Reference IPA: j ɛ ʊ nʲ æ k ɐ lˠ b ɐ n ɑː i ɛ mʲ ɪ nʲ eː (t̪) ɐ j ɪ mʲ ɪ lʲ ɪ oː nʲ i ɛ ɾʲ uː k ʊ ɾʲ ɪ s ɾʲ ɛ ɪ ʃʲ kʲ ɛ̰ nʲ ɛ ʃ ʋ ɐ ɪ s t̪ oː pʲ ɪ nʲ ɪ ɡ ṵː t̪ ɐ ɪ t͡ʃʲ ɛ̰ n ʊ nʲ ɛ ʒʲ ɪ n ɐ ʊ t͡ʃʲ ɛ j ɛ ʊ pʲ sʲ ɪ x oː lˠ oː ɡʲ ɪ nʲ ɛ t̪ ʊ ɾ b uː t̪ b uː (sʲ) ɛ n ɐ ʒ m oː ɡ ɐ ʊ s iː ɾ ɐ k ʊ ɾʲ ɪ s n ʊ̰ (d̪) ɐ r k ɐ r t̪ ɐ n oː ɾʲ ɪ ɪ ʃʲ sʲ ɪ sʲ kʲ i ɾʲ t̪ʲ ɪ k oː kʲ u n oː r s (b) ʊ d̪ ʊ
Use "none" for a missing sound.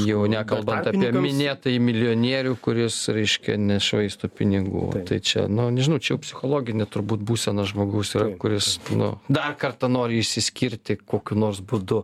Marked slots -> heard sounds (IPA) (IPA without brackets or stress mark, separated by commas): t̪, sʲ, d̪, b